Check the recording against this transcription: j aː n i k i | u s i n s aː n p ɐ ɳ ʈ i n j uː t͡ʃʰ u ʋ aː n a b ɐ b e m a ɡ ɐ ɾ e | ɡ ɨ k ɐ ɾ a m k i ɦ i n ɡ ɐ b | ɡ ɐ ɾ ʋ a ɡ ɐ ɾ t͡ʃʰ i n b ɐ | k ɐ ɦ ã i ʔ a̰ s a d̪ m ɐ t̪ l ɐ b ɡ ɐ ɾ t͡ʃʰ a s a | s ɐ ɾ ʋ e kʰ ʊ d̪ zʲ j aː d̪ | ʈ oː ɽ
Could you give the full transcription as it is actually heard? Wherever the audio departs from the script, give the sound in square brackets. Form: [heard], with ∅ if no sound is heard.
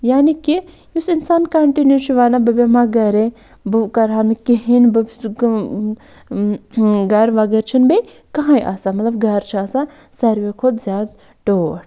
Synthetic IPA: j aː n i k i | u s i n s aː n [k] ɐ ɳ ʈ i n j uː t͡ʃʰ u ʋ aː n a b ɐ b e m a ɡ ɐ ɾ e | [b] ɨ k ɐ ɾ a [n] k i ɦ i n [b] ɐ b | ɡ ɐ ɾ ʋ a ɡ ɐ ɾ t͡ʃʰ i n b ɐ | k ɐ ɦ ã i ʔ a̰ s a [∅] m ɐ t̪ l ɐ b ɡ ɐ ɾ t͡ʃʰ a s a | s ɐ ɾ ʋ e kʰ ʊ d̪ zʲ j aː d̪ | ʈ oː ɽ